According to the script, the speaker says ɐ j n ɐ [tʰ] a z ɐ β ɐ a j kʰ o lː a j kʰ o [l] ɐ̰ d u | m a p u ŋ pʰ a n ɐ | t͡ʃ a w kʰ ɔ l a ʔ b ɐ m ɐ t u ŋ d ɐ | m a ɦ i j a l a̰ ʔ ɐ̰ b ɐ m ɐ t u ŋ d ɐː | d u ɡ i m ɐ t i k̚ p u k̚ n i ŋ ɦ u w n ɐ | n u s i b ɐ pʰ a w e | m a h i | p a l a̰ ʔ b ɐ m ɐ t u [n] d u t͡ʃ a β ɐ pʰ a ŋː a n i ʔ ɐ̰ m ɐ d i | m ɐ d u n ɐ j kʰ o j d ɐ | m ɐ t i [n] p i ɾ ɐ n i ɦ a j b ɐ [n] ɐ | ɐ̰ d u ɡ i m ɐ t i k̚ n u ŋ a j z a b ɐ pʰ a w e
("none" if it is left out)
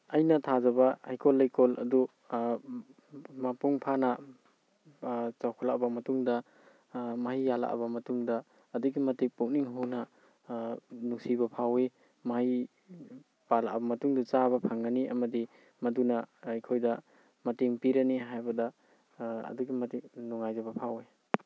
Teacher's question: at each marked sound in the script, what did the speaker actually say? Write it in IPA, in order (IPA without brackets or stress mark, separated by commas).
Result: tʰ, l, ŋ, ŋ, d